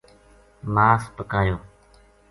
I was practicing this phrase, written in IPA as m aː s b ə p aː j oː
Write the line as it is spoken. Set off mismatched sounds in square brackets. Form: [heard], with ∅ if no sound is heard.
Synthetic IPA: m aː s [p] ə [k] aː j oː

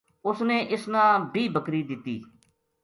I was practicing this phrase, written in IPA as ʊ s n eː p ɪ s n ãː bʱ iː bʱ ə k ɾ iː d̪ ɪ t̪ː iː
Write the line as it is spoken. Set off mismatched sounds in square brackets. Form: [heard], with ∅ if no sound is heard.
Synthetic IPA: ʊ s n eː [ʔ] ɪ s n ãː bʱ iː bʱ ə k ɾ iː d̪ ɪ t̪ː iː

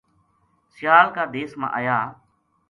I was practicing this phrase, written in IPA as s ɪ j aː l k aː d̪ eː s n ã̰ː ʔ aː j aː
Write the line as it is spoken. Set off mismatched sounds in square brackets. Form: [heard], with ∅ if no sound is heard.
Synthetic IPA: s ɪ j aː l k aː d̪ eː s [m] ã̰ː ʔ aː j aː

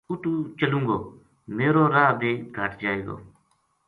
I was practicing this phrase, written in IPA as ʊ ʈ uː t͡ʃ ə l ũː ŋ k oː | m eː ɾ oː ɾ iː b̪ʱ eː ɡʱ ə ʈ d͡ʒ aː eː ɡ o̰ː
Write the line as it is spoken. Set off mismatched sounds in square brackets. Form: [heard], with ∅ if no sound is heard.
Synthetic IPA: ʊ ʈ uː t͡ʃ ə l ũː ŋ [ɡ] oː | m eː ɾ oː ɾ [aː] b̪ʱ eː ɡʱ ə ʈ d͡ʒ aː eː ɡ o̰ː

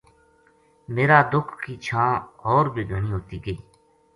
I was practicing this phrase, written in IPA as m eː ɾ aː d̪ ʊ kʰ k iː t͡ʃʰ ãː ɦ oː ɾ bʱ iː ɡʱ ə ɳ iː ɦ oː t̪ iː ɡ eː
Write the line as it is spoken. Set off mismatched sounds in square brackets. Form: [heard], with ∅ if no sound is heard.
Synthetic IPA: m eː ɾ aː d̪ ʊ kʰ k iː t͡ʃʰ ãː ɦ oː ɾ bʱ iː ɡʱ ə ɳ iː ɦ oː t̪ iː ɡ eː

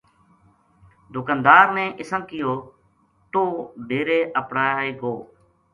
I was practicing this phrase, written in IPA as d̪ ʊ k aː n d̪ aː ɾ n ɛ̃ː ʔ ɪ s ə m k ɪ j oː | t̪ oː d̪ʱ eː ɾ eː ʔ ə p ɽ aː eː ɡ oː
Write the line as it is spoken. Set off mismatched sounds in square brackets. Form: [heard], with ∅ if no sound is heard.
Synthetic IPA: d̪ ʊ k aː n d̪ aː ɾ n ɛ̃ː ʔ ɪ s ə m k ɪ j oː | t̪ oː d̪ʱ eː ɾ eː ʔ ə p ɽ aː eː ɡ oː

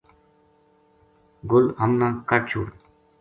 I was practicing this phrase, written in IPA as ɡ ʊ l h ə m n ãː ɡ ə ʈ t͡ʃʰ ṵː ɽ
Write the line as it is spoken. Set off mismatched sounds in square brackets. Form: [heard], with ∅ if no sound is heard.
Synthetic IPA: ɡ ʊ l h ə m n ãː [k] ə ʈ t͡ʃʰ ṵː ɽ

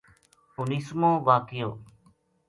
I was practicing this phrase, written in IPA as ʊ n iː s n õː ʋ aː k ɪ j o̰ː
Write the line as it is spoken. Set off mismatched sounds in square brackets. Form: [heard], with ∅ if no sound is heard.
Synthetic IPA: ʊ n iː s [m] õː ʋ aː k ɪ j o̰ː

